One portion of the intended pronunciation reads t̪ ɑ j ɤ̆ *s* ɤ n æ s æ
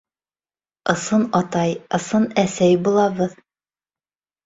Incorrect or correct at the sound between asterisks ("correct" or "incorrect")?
correct